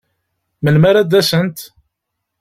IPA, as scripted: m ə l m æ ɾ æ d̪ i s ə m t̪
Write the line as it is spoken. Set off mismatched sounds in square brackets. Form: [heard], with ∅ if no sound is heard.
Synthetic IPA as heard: m ə l m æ ɾ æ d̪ [æ] s ə [n] t̪

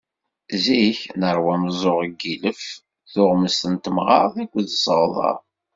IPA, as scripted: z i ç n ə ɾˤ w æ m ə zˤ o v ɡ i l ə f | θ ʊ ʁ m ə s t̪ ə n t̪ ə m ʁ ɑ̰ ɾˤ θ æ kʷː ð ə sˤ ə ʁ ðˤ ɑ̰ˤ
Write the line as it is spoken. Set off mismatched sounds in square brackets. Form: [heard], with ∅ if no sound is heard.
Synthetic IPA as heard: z i ç n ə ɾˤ w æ m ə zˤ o [ʁ] ɡ i l ə f | θ ʊ ʁ m ə s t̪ ə n t̪ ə m ʁ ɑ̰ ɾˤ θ æ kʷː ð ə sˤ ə ʁ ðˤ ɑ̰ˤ

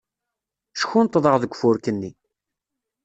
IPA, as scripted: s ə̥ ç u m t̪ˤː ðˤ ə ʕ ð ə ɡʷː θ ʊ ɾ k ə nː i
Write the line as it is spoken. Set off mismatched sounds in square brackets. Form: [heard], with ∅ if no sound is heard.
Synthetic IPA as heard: [ʃ] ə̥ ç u [n] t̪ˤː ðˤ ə [ʁ] ð ə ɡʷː [f] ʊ ɾ k ə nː i

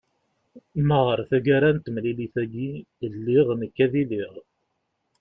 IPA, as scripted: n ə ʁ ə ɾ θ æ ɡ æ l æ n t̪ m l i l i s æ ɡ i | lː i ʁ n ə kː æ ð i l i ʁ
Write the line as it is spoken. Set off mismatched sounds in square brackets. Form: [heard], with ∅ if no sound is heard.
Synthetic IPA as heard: [m] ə ʁ ə ɾ θ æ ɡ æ [ɾ] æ n t̪ m l i l i [θ] æ ɡ i | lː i ʁ n ə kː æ ð i l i ʁ

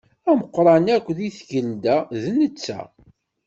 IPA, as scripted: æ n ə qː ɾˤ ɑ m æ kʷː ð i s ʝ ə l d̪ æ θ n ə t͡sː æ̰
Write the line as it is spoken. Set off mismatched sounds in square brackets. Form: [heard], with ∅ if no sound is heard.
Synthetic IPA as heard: æ [m] ə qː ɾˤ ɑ [n] æ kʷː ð i [θ] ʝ ə l d̪ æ [ð] n ə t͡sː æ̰

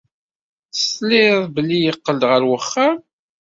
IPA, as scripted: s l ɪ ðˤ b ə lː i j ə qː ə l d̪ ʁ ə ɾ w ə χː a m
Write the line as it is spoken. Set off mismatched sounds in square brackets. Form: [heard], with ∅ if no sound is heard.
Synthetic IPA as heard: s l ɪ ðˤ b ə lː i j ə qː ə l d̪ ʁ ə ɾ w ə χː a m

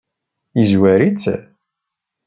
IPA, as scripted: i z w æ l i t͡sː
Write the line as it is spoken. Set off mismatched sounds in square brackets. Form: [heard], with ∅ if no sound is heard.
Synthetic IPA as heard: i z w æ [ɾ] i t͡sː

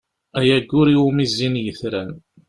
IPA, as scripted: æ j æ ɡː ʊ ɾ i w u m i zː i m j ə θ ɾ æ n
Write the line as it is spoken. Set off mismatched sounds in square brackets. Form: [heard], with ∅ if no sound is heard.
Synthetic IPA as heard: æ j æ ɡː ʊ ɾ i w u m i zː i [n] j ə θ ɾ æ n

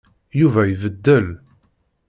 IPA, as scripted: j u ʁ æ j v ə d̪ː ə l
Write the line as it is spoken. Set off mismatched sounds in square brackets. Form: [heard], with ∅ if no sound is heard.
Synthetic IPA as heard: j u [v] æ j v ə d̪ː ə l

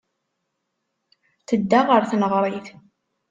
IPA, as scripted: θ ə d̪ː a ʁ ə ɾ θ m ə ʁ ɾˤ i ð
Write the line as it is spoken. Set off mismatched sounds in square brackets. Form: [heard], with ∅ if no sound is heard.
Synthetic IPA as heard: θ ə d̪ː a ʁ ə ɾ θ [n] ə ʁ ɾˤ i [θ]

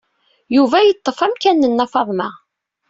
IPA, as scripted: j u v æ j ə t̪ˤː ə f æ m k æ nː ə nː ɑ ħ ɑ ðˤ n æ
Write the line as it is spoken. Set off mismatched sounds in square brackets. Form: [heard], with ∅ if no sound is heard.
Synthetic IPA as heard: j u v æ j ə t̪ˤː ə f æ m k æ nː ə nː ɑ [f] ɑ ðˤ [m] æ

